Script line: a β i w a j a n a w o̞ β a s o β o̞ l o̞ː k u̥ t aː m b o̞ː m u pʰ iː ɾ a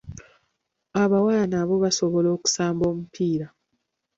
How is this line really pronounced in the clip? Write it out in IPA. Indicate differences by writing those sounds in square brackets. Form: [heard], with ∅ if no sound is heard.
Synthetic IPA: a β [a] w a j a n a [β] o̞ β a s o β o̞ l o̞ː k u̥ [s] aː m b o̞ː m u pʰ iː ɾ a